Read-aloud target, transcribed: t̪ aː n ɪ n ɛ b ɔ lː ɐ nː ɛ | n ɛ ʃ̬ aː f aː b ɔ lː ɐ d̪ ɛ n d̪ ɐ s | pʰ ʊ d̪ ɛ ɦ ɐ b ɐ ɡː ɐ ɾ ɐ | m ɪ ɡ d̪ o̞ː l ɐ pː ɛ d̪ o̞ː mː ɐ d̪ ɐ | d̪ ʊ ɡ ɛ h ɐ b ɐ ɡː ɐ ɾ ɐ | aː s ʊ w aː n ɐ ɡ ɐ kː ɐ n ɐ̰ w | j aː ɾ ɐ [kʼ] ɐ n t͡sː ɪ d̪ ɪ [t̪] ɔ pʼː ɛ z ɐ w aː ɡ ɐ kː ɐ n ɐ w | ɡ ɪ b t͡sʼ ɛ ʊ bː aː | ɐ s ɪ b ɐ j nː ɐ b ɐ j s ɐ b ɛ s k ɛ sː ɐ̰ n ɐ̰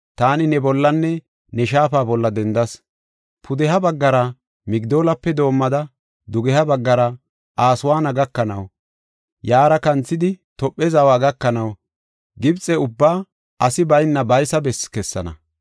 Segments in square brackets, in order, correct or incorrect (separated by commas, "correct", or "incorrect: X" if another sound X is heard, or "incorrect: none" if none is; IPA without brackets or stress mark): incorrect: k, correct